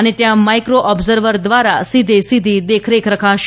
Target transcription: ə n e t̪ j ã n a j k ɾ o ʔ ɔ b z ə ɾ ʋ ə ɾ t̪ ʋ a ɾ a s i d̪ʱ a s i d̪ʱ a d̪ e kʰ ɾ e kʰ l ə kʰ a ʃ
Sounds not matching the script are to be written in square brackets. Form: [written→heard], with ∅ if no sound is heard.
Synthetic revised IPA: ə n e t̪ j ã [n→m] a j k ɾ o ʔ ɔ b z ə ɾ ʋ ə ɾ [t̪→d̪] ʋ a ɾ a s i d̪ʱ [a→e] s i d̪ʱ [a→i] d̪ e kʰ ɾ e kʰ [l→ɾ] ə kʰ a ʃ